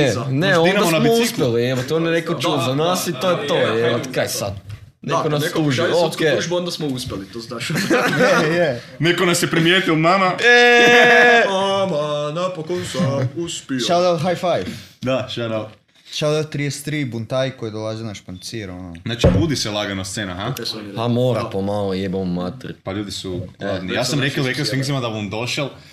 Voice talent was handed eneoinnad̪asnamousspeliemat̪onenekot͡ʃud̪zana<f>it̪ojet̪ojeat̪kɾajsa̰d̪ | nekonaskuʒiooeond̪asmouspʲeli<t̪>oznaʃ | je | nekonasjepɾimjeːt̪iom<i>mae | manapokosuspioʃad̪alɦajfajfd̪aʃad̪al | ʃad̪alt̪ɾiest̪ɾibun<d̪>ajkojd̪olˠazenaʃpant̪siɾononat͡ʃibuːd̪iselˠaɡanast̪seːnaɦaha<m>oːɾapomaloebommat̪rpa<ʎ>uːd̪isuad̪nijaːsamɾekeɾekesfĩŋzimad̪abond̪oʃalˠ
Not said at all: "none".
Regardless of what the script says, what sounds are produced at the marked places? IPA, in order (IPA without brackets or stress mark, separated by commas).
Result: s, t̪, a, t̪, m, ʎ